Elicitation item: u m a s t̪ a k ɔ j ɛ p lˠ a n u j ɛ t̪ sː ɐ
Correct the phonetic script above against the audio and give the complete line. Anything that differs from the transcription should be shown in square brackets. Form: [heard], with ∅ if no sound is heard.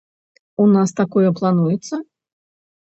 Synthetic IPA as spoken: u [n] a s t̪ a k ɔ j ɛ p lˠ a n u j ɛ t̪ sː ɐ